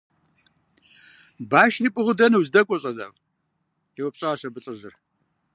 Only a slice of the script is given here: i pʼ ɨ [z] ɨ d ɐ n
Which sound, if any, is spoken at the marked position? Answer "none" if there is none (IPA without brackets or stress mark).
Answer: ʁ